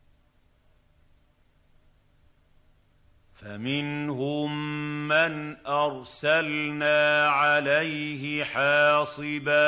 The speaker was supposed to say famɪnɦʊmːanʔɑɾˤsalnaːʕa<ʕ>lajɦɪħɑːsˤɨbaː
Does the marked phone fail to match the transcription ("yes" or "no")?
yes